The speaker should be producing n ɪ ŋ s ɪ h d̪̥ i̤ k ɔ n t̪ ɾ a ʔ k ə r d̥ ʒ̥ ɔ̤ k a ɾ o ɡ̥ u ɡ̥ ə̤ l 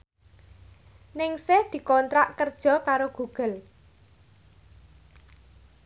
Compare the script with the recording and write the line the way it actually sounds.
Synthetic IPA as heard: n ɪ ŋ s ɪ h d̪̥ i̤ k ɔ n t̪ ɾ a ʔ k ə r d̥ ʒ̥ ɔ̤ k a ɾ o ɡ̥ u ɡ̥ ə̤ l